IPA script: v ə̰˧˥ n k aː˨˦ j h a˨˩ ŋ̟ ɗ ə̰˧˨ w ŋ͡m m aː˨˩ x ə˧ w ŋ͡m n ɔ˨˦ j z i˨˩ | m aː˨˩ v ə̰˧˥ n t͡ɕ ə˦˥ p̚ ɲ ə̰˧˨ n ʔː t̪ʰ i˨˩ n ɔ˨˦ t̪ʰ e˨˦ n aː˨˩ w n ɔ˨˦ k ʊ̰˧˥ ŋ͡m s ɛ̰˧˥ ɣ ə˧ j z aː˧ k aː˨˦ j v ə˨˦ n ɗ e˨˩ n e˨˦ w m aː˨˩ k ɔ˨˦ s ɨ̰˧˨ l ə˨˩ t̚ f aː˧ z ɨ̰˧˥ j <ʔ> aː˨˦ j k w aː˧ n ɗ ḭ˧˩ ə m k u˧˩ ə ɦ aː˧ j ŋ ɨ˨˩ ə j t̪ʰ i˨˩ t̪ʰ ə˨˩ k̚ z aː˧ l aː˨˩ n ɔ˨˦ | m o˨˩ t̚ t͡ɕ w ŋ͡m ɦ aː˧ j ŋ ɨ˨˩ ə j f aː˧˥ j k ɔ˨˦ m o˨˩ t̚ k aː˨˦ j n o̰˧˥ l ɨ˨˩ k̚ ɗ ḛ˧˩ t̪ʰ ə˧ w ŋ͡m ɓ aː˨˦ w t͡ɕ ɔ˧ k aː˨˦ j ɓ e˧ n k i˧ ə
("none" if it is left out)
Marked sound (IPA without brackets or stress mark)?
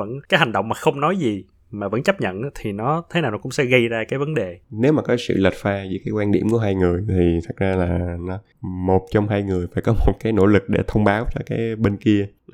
k